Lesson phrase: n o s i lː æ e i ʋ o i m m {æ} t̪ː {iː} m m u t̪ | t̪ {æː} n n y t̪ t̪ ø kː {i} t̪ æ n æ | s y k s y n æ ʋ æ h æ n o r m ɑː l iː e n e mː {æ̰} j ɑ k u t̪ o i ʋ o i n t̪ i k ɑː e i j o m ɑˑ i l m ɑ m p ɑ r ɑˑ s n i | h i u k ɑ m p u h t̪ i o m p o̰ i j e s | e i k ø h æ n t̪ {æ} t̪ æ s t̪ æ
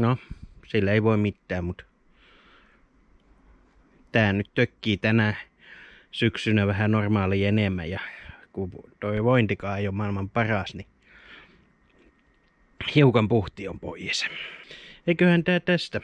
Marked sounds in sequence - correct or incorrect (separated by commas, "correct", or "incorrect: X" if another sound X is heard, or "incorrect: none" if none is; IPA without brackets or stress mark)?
incorrect: i, incorrect: æː, correct, incorrect: iː, correct, incorrect: æː